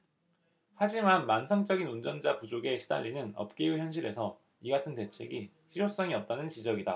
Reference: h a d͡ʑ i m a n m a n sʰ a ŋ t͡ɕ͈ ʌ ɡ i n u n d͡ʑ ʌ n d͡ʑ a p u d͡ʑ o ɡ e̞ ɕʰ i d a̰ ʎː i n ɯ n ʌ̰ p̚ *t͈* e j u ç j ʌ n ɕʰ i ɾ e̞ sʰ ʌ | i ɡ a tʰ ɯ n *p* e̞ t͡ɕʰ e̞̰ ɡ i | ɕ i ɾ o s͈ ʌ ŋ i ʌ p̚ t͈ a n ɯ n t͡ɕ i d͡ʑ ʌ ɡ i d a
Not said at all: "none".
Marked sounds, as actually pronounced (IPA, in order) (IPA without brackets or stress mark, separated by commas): k͈, t